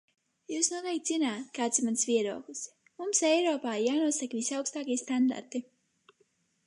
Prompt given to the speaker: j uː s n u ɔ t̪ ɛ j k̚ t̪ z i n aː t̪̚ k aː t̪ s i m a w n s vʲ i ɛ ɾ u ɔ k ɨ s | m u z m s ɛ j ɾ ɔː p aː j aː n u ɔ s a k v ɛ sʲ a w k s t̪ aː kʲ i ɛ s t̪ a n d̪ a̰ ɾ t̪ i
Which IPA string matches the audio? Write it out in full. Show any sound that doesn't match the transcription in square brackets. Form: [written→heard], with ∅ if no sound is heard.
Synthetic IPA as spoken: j uː s n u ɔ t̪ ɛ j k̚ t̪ z i n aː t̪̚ k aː t̪ s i m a [w→∅] n s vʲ i ɛ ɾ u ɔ k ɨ s | m u [z→∅] m s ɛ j ɾ ɔː p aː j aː n u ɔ s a k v [ɛ→i] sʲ a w k s t̪ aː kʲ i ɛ s t̪ a n d̪ a̰ ɾ t̪ i